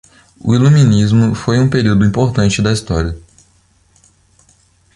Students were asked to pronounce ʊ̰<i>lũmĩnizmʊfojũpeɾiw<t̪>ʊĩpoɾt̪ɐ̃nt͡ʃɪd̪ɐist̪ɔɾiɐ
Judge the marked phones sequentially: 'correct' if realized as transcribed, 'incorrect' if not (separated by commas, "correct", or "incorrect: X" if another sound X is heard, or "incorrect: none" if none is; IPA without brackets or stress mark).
correct, incorrect: d̪